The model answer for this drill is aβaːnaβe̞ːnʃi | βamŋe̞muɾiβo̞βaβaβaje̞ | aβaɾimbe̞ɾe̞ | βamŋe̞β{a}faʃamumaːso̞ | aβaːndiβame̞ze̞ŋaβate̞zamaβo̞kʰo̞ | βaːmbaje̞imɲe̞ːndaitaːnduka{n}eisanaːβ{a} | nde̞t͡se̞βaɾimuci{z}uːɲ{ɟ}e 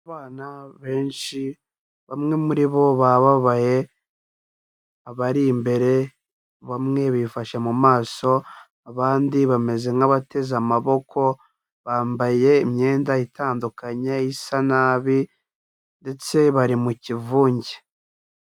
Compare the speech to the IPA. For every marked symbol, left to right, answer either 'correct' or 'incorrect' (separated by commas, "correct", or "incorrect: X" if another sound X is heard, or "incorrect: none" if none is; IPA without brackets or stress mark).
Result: incorrect: i, incorrect: ɲ, incorrect: i, incorrect: v, correct